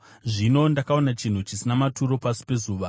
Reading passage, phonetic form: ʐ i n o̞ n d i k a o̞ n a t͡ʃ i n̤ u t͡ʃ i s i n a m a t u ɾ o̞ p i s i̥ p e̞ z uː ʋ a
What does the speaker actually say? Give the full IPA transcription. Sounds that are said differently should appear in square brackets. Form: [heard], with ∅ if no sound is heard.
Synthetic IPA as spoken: ʐ i n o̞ n d [a] k a o̞ n a t͡ʃ i n̤ u t͡ʃ i s i n a m a t u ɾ o̞ p [a] s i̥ p e̞ z uː ʋ a